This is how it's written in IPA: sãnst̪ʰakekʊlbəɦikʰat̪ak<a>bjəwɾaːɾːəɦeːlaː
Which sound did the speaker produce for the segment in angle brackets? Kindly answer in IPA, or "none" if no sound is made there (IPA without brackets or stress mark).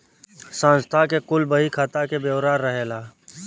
e